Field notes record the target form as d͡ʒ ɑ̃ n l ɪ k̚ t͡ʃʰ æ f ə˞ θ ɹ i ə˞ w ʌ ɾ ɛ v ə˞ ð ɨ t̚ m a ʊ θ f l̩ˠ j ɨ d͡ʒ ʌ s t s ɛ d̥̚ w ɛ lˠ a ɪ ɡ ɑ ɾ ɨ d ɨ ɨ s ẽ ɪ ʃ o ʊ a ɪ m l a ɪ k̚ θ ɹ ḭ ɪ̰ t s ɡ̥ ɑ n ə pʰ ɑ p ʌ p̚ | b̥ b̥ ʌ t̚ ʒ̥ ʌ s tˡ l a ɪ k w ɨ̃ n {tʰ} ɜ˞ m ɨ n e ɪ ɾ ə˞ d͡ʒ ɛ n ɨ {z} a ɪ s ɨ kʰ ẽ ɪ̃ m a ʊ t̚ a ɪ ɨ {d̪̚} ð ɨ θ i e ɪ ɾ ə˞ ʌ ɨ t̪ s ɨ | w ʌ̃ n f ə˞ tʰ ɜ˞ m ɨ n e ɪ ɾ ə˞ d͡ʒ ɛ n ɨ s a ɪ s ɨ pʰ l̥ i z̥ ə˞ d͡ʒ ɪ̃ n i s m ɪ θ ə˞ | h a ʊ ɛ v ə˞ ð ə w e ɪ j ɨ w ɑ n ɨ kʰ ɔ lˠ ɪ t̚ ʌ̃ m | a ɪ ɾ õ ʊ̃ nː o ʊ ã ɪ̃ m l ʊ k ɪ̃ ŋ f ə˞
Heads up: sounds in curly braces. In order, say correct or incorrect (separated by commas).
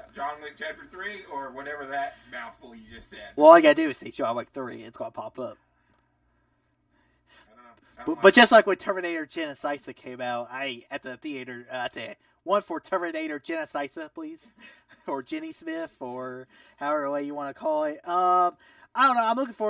correct, incorrect, incorrect